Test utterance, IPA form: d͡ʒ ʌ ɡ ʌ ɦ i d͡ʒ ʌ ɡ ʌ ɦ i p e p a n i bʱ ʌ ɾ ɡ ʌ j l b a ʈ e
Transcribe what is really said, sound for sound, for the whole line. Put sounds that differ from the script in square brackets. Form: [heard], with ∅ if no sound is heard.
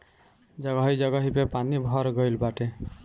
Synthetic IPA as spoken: d͡ʒ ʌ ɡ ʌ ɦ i d͡ʒ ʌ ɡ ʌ ɦ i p e p a n i bʱ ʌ ɾ ɡ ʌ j l b a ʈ e